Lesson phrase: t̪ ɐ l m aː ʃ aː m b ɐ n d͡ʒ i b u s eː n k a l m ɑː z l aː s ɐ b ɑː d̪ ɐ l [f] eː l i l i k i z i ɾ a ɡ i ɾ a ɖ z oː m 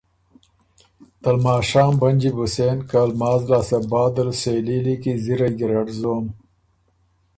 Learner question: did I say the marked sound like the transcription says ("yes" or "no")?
no